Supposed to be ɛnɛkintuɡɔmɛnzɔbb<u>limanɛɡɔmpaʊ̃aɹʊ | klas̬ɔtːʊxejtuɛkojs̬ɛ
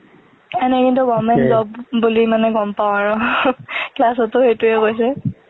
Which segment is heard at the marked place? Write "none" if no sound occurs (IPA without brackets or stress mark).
u